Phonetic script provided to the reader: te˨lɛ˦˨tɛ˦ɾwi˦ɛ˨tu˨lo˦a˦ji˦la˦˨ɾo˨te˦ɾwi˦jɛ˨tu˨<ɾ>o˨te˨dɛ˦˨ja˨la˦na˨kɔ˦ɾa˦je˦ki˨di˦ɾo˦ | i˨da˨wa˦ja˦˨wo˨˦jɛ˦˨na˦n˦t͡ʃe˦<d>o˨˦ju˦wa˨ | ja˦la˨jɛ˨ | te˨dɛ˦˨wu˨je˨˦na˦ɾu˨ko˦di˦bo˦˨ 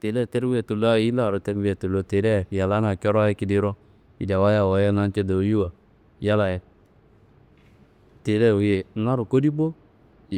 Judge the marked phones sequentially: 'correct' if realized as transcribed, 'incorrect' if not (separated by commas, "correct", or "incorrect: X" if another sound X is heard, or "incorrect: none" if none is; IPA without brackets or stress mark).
incorrect: l, correct